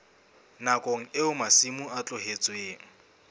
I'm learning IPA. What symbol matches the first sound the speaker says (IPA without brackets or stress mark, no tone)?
n